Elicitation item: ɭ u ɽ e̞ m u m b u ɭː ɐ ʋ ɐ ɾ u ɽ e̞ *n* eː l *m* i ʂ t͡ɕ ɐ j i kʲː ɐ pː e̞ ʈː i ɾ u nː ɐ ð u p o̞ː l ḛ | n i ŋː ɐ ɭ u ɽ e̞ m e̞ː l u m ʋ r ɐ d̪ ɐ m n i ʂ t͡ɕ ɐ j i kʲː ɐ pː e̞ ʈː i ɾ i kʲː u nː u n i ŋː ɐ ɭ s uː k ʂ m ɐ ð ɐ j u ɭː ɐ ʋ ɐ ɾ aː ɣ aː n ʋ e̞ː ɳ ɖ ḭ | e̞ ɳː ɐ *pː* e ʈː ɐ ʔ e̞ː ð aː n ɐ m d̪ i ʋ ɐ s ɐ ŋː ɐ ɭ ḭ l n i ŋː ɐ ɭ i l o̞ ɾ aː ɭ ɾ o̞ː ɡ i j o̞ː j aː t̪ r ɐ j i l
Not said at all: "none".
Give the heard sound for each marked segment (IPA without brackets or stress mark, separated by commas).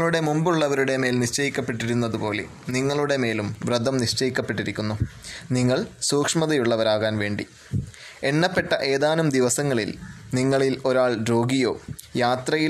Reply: m, n, pː